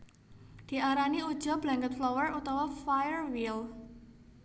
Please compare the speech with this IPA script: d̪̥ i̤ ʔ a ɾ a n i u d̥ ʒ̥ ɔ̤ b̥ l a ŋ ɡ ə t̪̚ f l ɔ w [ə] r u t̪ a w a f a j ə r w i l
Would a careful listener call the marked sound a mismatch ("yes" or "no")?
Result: no